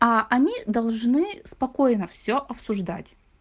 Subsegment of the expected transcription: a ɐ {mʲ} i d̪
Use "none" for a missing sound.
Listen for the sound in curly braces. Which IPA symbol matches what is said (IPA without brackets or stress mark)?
nʲ